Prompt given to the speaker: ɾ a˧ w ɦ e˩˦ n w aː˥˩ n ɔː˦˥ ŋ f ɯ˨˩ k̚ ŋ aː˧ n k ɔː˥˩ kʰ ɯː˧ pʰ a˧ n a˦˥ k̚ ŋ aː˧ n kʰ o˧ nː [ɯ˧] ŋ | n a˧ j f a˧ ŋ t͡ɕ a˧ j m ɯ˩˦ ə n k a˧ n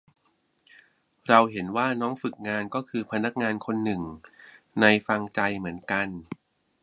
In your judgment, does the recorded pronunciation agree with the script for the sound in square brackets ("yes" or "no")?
no